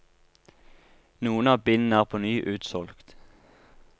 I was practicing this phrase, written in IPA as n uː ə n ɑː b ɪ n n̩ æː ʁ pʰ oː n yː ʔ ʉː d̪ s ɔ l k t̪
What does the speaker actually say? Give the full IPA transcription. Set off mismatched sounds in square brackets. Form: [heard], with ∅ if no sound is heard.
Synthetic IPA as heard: n uː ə n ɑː b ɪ n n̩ æː ʁ pʰ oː n yː ʔ ʉː [t̪] s ɔ l k t̪